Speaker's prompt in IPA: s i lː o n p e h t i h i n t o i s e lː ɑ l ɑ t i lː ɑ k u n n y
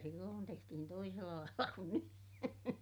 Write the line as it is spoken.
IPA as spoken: s i lː oː n t e h t i h i n t o i s e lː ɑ l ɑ i lː ɑ k u n n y